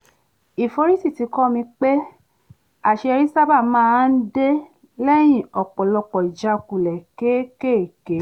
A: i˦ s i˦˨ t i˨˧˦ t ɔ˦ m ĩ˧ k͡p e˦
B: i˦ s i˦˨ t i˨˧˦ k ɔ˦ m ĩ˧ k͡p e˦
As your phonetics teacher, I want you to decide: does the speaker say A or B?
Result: B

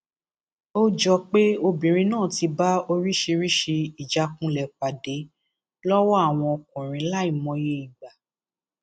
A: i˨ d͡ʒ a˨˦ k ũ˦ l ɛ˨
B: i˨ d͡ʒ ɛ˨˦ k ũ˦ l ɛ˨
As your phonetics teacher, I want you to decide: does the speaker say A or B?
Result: A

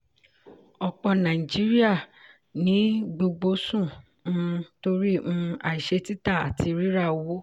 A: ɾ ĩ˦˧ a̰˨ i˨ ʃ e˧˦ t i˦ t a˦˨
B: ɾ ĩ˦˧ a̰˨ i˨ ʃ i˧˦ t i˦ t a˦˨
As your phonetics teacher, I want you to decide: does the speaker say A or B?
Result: A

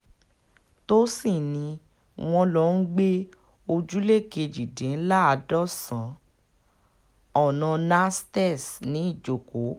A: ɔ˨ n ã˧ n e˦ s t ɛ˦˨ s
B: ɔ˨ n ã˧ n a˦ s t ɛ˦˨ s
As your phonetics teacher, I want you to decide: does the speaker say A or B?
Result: B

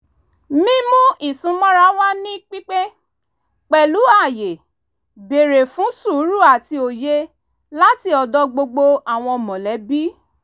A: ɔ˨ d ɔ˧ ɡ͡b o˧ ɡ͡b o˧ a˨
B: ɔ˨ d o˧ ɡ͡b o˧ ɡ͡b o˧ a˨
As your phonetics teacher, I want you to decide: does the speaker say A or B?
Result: A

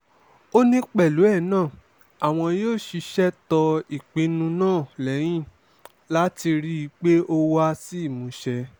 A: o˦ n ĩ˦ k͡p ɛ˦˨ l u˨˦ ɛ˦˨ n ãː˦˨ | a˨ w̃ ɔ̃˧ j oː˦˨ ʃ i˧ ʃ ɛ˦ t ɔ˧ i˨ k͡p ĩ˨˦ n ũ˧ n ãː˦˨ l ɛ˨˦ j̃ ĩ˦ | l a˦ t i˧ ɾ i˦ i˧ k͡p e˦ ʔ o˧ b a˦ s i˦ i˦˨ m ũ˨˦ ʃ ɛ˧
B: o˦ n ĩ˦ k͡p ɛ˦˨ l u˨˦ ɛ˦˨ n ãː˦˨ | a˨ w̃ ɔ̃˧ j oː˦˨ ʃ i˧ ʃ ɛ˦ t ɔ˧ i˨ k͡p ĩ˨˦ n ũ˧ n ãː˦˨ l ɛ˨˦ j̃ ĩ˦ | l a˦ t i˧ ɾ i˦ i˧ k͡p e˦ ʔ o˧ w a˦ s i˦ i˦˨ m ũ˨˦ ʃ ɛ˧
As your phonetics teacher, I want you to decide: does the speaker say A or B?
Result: B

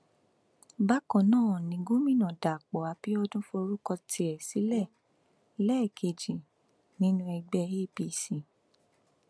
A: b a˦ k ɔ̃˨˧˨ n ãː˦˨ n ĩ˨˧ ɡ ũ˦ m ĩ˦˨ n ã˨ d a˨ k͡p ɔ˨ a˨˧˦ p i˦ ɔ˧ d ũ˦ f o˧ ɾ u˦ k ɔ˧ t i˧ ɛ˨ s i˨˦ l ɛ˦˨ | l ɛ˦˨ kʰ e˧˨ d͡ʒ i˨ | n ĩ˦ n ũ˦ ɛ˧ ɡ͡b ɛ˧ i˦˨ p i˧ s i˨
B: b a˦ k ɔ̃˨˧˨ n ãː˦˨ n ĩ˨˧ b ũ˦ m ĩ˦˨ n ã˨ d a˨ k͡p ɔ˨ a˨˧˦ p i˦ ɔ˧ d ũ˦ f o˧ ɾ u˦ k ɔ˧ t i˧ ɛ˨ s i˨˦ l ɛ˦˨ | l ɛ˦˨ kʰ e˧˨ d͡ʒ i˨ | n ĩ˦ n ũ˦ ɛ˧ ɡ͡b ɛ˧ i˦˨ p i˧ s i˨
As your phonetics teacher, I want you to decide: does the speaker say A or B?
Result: A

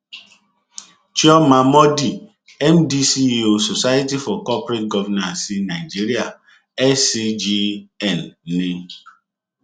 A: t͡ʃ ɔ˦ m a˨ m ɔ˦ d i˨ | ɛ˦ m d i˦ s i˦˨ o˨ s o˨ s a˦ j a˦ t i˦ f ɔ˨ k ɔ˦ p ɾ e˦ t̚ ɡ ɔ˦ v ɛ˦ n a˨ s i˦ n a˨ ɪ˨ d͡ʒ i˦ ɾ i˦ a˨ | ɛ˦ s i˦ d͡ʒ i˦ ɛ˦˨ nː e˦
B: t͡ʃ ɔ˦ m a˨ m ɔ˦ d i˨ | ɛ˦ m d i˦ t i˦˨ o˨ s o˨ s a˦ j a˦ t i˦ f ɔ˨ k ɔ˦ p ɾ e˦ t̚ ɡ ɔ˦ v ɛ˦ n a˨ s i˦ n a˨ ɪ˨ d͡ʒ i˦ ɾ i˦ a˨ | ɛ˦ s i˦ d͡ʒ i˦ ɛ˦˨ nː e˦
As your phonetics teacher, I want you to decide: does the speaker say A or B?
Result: A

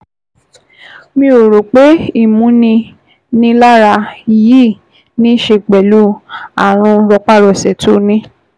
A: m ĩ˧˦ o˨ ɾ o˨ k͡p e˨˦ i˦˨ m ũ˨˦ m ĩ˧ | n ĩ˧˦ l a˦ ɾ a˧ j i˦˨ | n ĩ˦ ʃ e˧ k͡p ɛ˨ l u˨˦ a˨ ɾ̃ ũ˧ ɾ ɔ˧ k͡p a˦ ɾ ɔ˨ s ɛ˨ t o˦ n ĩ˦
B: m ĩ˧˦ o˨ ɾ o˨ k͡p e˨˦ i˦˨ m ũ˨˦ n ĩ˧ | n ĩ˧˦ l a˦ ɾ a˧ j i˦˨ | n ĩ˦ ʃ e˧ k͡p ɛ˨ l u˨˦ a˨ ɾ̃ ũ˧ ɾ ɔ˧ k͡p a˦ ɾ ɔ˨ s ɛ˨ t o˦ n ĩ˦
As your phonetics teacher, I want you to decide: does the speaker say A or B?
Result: B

